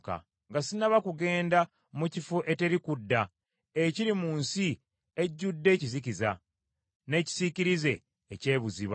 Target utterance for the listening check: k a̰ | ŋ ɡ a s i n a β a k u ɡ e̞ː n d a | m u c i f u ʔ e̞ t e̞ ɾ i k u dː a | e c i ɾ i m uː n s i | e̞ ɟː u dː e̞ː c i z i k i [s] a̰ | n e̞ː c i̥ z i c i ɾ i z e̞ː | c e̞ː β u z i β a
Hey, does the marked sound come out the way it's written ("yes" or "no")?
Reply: no